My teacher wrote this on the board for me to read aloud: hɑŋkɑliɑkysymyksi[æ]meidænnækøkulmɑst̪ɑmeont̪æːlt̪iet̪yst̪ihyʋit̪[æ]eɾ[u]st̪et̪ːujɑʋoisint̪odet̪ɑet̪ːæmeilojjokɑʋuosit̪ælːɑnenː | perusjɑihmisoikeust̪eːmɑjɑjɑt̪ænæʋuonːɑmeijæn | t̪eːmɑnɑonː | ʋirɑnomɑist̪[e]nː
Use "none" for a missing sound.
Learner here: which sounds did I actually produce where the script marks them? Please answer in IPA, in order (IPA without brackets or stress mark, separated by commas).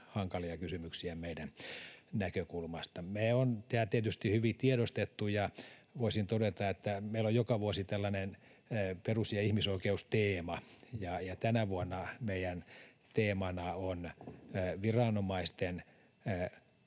æ, i, o, e